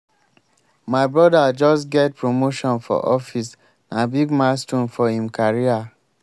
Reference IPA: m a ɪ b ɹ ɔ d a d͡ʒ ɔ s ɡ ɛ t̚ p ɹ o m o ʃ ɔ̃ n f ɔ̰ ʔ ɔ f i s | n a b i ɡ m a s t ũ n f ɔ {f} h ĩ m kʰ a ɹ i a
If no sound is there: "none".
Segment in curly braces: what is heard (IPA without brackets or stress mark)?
none